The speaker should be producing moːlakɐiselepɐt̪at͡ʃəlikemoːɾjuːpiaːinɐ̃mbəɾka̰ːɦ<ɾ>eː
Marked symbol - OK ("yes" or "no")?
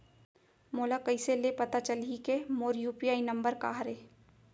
yes